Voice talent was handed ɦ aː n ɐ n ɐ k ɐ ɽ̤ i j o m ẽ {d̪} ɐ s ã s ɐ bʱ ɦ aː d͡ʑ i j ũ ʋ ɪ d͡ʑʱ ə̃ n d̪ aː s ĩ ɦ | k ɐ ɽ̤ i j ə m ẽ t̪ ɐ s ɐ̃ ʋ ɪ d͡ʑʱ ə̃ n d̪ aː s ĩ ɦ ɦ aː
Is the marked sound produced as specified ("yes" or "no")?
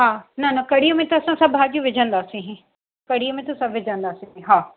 no